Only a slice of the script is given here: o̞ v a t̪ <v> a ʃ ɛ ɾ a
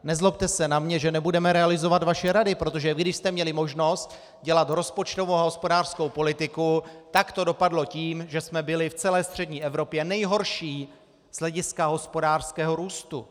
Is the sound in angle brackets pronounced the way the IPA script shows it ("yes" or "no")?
yes